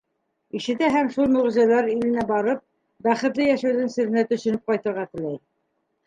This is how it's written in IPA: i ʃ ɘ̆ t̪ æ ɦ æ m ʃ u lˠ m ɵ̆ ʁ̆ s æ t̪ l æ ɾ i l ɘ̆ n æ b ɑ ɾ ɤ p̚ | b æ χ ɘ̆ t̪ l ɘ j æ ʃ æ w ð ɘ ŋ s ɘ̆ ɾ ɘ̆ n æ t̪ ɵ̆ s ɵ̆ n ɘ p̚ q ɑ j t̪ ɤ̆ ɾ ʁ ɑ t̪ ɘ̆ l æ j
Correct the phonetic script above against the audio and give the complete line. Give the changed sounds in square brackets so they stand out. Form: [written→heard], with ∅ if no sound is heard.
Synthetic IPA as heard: i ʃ ɘ̆ t̪ æ ɦ æ m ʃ u lˠ m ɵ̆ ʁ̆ [s→z] æ [t̪→∅] l æ ɾ i l ɘ̆ n æ b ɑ ɾ ɤ p̚ | b æ χ ɘ̆ t̪ l ɘ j æ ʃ æ w ð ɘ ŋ s ɘ̆ ɾ ɘ̆ n æ t̪ ɵ̆ [s→ʃ] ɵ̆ n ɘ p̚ q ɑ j t̪ ɤ̆ ɾ ʁ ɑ t̪ ɘ̆ l æ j